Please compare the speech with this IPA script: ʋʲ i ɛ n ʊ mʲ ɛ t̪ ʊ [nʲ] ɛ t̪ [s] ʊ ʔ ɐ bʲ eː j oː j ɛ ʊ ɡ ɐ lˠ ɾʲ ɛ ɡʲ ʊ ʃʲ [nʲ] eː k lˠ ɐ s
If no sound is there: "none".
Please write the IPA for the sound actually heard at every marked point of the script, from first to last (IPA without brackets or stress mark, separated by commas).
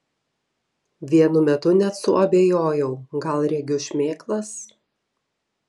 nʲ, s, mʲ